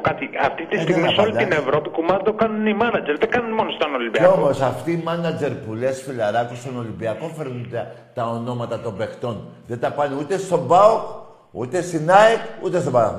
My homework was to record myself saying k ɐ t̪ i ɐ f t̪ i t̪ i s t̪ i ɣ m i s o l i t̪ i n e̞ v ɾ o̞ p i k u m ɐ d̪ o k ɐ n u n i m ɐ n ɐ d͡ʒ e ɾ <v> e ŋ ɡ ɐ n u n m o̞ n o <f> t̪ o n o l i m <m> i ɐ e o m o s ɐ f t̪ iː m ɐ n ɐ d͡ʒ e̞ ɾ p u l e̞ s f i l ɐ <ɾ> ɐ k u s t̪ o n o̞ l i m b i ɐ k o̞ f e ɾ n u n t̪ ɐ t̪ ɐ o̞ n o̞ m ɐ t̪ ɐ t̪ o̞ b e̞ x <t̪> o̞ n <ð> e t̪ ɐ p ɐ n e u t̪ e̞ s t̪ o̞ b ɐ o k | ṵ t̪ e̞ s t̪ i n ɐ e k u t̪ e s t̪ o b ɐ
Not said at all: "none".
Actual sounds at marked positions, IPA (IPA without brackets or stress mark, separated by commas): ð, s, b, ɾ, t̪, ð